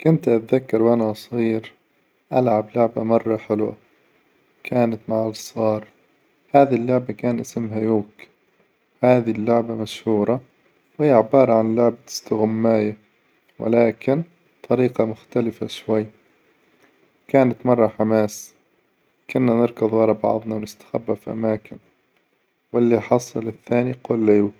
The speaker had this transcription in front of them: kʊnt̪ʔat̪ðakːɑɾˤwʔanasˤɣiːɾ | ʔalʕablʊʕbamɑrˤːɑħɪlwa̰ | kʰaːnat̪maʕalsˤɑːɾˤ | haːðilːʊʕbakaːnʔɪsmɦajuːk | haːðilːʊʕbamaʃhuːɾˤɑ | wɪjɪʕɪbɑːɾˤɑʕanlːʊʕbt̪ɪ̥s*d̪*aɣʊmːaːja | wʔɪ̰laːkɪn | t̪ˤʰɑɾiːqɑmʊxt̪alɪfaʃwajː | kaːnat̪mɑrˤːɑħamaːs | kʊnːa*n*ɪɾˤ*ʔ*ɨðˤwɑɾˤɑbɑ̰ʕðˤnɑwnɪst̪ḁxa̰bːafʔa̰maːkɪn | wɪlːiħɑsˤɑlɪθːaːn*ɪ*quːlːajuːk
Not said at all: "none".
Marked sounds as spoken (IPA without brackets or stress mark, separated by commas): t̪, n, k, i